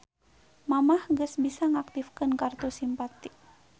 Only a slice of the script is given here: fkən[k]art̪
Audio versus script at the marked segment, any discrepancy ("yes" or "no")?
no